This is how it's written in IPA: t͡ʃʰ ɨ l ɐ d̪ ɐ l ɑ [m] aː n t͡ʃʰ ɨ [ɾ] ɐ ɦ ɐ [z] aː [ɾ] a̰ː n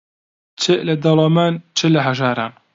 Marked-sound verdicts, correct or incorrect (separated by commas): correct, incorrect, incorrect, correct